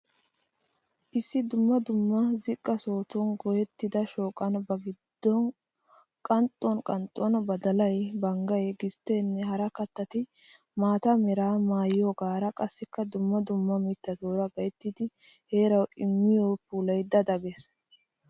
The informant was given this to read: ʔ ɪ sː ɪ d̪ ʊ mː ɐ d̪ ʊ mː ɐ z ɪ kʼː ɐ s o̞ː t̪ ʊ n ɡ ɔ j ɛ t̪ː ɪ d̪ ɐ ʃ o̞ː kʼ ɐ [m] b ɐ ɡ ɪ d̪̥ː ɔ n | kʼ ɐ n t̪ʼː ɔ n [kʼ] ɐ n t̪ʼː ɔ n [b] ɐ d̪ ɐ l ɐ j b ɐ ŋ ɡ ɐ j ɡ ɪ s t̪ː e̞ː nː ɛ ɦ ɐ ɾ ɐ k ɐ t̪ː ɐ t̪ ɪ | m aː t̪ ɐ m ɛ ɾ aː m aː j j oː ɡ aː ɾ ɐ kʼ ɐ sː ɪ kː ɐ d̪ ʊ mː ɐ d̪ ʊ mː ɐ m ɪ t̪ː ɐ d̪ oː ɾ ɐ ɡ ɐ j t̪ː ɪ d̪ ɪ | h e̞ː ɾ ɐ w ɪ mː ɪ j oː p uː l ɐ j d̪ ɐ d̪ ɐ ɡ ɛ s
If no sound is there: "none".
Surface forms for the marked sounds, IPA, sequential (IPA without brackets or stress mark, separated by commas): n, kʼ, b